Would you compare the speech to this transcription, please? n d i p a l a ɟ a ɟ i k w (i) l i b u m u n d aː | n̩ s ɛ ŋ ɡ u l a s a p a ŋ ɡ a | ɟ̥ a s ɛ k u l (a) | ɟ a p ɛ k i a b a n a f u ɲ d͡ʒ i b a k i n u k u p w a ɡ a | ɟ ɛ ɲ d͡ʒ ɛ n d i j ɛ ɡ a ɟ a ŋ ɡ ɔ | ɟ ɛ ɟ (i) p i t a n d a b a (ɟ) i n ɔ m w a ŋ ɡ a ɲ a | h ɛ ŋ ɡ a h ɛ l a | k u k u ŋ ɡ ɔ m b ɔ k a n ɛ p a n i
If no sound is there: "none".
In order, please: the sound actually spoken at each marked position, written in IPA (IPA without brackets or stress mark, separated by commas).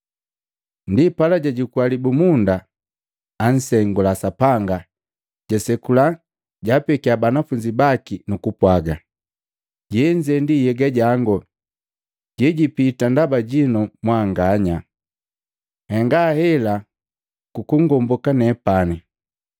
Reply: a, a, i, ɟ